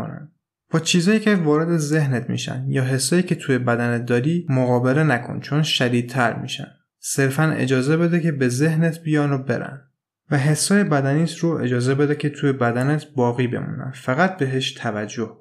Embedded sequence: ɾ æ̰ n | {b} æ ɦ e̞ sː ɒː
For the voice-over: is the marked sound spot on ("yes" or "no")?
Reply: no